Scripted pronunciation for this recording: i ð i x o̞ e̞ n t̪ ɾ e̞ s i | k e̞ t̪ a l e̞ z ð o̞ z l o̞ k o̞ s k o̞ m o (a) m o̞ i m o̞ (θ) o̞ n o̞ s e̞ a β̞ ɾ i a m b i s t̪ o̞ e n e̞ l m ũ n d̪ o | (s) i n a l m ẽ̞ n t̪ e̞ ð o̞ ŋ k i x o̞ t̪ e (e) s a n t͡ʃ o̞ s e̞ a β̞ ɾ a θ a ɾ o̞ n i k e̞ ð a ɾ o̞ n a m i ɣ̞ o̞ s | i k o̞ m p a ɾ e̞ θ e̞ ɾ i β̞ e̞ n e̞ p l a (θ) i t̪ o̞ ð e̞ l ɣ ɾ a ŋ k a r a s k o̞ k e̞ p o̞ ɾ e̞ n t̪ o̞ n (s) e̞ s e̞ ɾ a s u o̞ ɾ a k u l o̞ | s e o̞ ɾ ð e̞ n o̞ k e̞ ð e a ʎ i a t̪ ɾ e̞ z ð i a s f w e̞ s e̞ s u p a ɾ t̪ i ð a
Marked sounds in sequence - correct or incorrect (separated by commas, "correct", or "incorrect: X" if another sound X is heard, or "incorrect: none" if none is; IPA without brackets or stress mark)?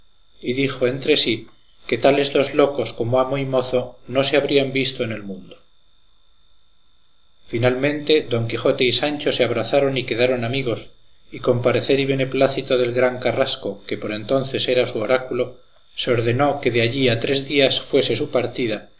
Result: correct, correct, incorrect: f, incorrect: i, correct, incorrect: θ